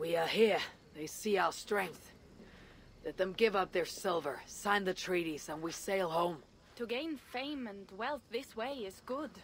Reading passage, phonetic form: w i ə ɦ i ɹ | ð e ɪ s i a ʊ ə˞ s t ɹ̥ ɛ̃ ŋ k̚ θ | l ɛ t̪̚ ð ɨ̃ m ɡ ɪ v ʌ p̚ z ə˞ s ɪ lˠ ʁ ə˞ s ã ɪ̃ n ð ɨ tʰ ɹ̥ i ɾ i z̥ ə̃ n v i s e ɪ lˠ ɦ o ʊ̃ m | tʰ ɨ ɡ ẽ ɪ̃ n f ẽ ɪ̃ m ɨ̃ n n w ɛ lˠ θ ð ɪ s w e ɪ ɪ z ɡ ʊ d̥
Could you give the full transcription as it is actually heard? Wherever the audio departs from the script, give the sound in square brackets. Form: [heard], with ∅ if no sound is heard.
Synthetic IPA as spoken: w i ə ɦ i ɹ | ð e ɪ s i a ʊ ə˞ s t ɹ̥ ɛ̃ ŋ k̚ θ | l ɛ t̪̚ ð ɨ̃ m ɡ ɪ v ʌ p̚ [ð] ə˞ s ɪ lˠ [v] ə˞ s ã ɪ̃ n ð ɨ tʰ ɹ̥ i ɾ i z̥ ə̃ n [w] i s e ɪ lˠ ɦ [õ] ʊ̃ m | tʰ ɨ ɡ ẽ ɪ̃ n f ẽ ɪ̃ m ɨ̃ n [d] w ɛ lˠ θ ð ɪ s w e ɪ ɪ z ɡ ʊ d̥